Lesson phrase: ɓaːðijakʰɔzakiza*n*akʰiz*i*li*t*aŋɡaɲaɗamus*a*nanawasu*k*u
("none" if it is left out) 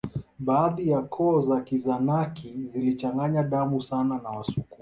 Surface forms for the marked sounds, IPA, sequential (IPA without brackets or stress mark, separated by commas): n, i, t͡ʃ, a, k